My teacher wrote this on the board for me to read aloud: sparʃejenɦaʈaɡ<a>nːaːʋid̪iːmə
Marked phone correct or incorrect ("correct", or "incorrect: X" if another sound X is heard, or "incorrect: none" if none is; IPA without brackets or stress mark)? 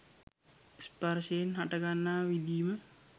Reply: correct